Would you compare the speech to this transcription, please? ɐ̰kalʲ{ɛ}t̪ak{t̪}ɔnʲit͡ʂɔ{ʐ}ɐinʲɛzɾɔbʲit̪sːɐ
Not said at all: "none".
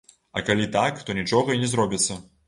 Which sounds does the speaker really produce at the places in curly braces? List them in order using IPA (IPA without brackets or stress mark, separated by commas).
i, t̪, ɣ